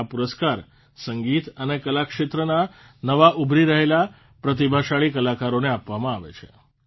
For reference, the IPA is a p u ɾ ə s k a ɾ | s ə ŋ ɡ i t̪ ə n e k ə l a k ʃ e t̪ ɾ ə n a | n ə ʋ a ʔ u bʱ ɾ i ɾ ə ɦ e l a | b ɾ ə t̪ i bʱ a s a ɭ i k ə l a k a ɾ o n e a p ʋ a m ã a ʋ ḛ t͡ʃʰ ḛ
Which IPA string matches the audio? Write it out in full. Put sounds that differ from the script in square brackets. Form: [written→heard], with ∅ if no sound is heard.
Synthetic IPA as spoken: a p u ɾ ə s k a ɾ | s ə ŋ ɡ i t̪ ə n e k ə l a k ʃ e t̪ ɾ ə n a | n ə ʋ a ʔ u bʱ ɾ i ɾ ə ɦ e l a | [b→p] ɾ ə t̪ i bʱ a [s→ʃ] a ɭ i k ə l a k a ɾ o n e a p ʋ a m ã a ʋ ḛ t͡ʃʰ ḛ